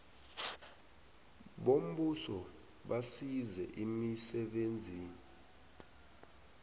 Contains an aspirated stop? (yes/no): no